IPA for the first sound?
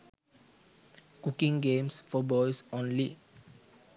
k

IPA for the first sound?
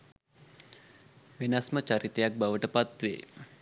ʋ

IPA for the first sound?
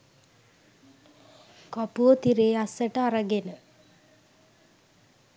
k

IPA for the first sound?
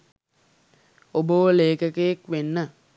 o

